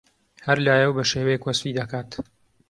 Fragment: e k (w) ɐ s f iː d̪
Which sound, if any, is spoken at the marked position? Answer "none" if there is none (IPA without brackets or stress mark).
w